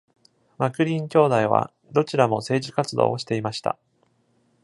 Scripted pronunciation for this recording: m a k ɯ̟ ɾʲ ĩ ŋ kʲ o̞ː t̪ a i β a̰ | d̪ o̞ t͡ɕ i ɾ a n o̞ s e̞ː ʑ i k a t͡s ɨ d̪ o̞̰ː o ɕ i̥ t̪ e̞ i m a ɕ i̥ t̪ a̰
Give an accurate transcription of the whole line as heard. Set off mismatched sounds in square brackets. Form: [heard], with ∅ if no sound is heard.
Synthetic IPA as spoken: m a k ɯ̟ ɾʲ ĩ ŋ kʲ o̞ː [d̪] a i β a̰ | d̪ o̞ t͡ɕ i ɾ a [m] o̞ s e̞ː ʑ i k a t͡s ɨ d̪ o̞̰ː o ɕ i̥ t̪ e̞ i m a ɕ i̥ t̪ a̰